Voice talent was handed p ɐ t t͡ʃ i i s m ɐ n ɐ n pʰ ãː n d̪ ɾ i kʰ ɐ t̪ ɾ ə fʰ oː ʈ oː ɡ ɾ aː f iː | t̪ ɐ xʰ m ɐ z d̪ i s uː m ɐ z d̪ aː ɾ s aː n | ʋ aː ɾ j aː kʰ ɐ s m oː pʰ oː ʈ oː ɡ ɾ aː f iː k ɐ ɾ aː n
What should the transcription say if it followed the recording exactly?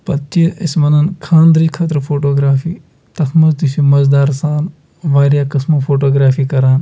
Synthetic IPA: p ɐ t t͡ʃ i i s m ɐ n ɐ n kʰ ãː n d̪ ɾ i kʰ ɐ t̪ ɾ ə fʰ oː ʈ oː ɡ ɾ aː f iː | t̪ ɐ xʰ m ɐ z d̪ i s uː m ɐ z d̪ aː ɾ s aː n | ʋ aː ɾ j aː k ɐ s m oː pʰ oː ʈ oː ɡ ɾ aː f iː k ɐ ɾ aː n

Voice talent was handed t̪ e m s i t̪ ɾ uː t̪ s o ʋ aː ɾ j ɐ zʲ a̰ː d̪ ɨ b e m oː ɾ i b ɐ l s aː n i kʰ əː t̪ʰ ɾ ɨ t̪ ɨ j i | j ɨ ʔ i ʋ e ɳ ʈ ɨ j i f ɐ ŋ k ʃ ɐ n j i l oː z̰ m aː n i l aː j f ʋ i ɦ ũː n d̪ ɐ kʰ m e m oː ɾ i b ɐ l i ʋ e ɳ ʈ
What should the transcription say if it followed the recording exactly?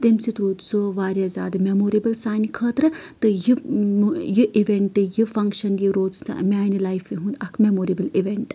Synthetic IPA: t̪ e m s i t̪ ɾ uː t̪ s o ʋ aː ɾ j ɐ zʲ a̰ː d̪ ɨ m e m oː ɾ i b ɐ l s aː n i kʰ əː t̪ ɾ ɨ t̪ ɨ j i | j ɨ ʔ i ʋ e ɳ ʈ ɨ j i f ɐ ŋ k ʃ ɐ n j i ɾ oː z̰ m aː n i l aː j f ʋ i ɦ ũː n d̪ ɐ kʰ m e m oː ɾ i b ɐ l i ʋ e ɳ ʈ

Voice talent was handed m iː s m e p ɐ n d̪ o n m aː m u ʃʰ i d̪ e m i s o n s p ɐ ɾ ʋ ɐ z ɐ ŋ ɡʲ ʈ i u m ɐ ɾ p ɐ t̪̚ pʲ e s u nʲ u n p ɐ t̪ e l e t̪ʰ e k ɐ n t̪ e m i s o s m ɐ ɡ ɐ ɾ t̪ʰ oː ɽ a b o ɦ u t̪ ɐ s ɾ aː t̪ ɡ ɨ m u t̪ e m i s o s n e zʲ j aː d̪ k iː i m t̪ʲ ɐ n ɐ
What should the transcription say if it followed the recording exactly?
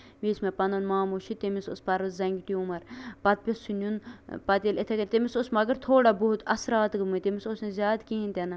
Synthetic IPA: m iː s m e p ɐ n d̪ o n m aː m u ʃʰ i t̪ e m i s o s p ɐ ɾ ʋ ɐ z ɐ ŋ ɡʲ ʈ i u m ɐ ɾ p ɐ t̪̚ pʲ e s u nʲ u n p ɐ t̪ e l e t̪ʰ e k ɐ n t̪ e m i s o s m ɐ ɡ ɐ ɾ t̪ʰ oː ɽ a b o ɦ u t̪ ɐ s ɾ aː t̪ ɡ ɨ m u t̪ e m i s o s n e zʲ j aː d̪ k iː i n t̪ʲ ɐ n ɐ

